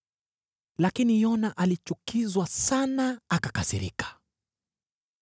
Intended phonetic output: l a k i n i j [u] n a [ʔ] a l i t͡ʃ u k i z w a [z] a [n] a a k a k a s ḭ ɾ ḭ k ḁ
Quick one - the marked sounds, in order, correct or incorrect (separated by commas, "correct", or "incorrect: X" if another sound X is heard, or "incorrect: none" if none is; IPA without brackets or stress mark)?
incorrect: ɔ, correct, incorrect: s, correct